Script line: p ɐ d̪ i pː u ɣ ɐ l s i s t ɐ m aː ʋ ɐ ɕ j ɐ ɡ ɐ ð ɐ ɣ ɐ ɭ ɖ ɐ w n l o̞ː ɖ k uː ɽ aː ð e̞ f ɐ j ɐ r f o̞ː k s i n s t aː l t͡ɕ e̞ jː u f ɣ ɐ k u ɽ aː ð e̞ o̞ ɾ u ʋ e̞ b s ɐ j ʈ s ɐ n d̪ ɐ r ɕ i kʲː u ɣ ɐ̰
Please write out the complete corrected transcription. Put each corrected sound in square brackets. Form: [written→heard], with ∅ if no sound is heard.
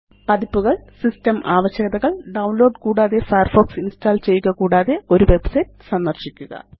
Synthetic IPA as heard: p ɐ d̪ i pː u ɣ ɐ [l→ɭ] s i s t ɐ m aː ʋ ɐ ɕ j ɐ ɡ ɐ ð ɐ ɣ ɐ ɭ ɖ ɐ w n l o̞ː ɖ k uː ɽ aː ð e̞ f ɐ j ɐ r f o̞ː k s i n s t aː l t͡ɕ e̞ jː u [f→∅] ɣ ɐ k [u→uː] ɽ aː ð e̞ o̞ ɾ u ʋ e̞ b s ɐ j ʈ s ɐ n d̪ ɐ r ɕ i kʲː u ɣ ɐ̰